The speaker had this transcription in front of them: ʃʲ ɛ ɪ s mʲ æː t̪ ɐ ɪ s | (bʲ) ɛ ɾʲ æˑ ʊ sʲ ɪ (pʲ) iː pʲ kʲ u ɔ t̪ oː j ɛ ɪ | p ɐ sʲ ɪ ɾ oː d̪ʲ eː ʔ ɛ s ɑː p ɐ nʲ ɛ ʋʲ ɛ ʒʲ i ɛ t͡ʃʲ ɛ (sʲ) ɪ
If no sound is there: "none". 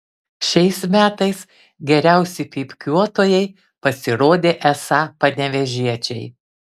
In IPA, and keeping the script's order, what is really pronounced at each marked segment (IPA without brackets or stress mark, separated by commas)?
ɡʲ, pʲ, none